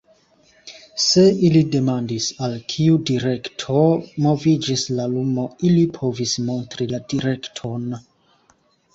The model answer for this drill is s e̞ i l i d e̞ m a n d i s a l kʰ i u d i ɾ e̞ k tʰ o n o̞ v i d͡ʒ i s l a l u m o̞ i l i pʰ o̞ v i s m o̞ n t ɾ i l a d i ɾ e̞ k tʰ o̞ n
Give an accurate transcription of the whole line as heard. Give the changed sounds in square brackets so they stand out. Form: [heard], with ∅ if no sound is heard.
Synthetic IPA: s e̞ i l i d e̞ m a n d i s a l kʰ i u d i ɾ e̞ k tʰ o [m] o̞ v i d͡ʒ i s l a l u m o̞ i l i pʰ o̞ v i s m o̞ n t ɾ i l a d i ɾ e̞ k tʰ o̞ n

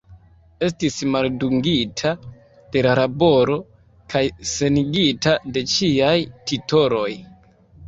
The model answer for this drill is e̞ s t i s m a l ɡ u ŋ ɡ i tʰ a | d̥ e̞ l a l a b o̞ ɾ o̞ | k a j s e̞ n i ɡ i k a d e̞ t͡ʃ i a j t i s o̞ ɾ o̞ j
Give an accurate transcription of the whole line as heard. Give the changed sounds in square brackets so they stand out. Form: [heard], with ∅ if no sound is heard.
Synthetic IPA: e̞ s t i s m a l [d] u ŋ ɡ i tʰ a | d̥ e̞ l a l a b o̞ ɾ o̞ | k a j s e̞ n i ɡ i [t] a d e̞ t͡ʃ i a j t i [t] o̞ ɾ o̞ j

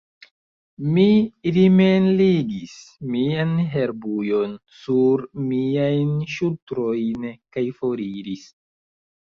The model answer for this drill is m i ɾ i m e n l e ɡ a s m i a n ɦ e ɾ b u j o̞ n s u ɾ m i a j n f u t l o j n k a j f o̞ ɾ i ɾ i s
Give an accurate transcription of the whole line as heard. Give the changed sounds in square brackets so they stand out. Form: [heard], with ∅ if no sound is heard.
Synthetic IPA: m i ɾ i m e n l [i] ɡ [i] s m i a n ɦ e ɾ b u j o̞ n s u ɾ m i a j n [ʃ] u t [ɾ] o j n k a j f o̞ ɾ i ɾ i s

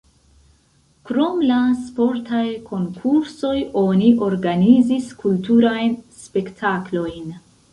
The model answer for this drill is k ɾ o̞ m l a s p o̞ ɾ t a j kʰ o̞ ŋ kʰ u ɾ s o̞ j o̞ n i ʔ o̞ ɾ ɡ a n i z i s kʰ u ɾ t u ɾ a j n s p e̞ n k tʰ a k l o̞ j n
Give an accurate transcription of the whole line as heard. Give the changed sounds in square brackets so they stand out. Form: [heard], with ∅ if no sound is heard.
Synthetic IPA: k ɾ o̞ m l a s p o̞ ɾ t a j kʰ o̞ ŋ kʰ u ɾ s o̞ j o̞ n i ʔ o̞ ɾ ɡ a n i z i s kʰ u [l] t u ɾ a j n s p e̞ [∅] k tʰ a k l o̞ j n

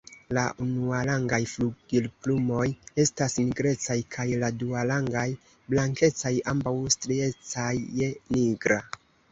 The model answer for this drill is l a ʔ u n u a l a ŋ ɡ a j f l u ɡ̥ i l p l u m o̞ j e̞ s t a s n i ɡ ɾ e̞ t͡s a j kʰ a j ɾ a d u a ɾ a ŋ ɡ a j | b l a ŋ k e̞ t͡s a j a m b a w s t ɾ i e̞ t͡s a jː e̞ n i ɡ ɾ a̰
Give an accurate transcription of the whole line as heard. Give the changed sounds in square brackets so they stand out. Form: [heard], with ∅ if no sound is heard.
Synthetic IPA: l a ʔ u n u a l a ŋ ɡ a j f l u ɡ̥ i l p l u m o̞ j e̞ s t a s n i ɡ ɾ e̞ t͡s a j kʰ a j [l] a d u a [l] a ŋ ɡ a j | b l a ŋ k e̞ t͡s a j a m b a w s t ɾ i e̞ t͡s a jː e̞ n i ɡ ɾ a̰

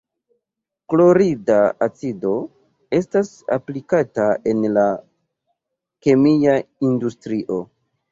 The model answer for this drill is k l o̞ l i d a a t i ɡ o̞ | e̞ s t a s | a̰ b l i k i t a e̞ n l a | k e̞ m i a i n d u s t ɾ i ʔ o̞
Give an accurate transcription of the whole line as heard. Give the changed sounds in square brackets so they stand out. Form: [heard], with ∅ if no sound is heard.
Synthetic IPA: k l o̞ [ɾ] i d a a [t͡s] i [d] o̞ | e̞ s t a s | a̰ [p] l i k [a] t a e̞ n l a | k e̞ m i a i n d u s t ɾ i ʔ o̞

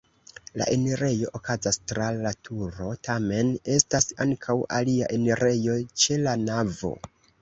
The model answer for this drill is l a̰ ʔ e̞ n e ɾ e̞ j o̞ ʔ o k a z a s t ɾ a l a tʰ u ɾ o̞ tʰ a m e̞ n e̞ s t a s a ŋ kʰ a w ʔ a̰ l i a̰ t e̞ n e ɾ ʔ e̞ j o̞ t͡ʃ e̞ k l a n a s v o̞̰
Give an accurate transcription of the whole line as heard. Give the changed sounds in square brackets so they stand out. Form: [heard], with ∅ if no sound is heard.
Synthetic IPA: l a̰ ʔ e̞ n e ɾ e̞ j o̞ ʔ o k a z a s t ɾ a l a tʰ u ɾ o̞ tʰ a m e̞ n e̞ s t a s a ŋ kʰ a w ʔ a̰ l i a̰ [ʔ] e̞ n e ɾ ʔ e̞ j o̞ t͡ʃ e̞ [∅] l a n a [∅] v o̞̰

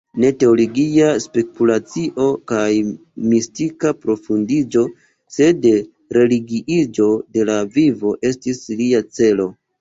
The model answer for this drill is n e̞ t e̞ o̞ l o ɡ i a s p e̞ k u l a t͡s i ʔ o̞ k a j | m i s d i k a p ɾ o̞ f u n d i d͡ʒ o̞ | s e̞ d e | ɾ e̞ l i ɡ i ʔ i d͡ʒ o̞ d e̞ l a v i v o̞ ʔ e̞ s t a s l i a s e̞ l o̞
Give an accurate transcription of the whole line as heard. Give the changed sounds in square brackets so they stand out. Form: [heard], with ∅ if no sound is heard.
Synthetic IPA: n e̞ t e̞ o̞ l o ɡ i a s p e̞ k u l a t͡s i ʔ o̞ k a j | m i s [t] i k a p ɾ o̞ f u n d i d͡ʒ o̞ | s e̞ d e | ɾ e̞ l i ɡ i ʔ i d͡ʒ o̞ d e̞ l a v i v o̞ ʔ e̞ s t [i] s l i a [t͡s] e̞ l o̞

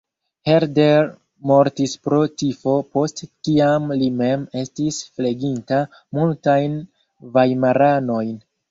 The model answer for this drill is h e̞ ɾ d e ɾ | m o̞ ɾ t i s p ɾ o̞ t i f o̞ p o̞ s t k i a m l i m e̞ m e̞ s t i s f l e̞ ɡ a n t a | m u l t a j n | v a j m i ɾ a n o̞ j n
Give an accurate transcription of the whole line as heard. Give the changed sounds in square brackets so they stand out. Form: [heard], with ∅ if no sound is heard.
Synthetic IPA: h e̞ ɾ d e ɾ | m o̞ ɾ t i s p ɾ o̞ t i f o̞ p o̞ s t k i a m l i m e̞ m e̞ s t i s f l e̞ ɡ [i] n t a | m u l t a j n | v a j m [a] ɾ a n o̞ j n

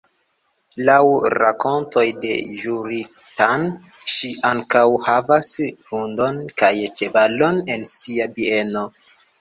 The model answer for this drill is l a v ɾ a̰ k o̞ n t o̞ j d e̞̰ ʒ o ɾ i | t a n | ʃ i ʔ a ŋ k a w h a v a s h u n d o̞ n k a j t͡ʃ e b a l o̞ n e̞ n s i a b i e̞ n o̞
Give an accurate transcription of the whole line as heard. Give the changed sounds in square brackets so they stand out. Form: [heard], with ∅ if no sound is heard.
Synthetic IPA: l a [w] ɾ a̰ k o̞ n t o̞ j d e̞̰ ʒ [u] ɾ i | t a n | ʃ i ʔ a ŋ k a w h a v a s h u n d o̞ n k a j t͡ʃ e b a l o̞ n e̞ n s i a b i e̞ n o̞

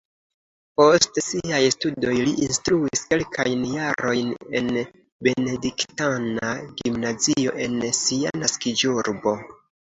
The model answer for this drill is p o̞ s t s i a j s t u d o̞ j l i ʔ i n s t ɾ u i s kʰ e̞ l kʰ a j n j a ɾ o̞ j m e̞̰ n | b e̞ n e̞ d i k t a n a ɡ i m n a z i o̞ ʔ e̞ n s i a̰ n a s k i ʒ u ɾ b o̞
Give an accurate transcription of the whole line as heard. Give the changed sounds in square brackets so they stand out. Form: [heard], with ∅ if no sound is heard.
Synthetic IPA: p o̞ s t s i a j s t u d o̞ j l i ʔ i n s t ɾ u i s [k] e̞ l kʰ a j n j a ɾ o̞ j [n] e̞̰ n | b e̞ n e̞ d i k t a n a ɡ i m n a z i o̞ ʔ e̞ n s i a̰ n a s k i [d͡ʒ] u ɾ b o̞

